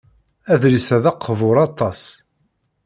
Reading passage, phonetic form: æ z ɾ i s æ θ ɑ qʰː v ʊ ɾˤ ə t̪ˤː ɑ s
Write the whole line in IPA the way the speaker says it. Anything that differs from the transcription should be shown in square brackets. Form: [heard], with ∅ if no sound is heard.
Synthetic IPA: æ [ð] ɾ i s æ [ð] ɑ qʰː v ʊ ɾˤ [ɑ] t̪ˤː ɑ s